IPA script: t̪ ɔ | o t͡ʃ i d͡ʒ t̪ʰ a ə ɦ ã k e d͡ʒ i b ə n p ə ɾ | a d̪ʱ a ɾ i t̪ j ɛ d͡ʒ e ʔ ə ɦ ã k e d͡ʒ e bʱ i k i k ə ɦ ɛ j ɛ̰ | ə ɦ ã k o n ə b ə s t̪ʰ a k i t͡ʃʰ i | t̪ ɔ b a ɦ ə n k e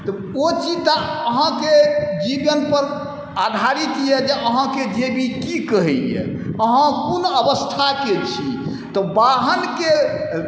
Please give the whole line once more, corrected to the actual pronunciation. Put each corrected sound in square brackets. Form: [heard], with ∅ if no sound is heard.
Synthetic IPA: t̪ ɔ | o t͡ʃ i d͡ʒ [t̪] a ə ɦ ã k e d͡ʒ i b ə n p ə ɾ | a d̪ʱ a ɾ i t̪ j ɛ d͡ʒ e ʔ ə ɦ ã k e d͡ʒ e bʱ i k i k ə ɦ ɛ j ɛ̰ | ə ɦ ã k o n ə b ə s t̪ʰ a k [e] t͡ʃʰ i | t̪ ɔ b a ɦ ə n k e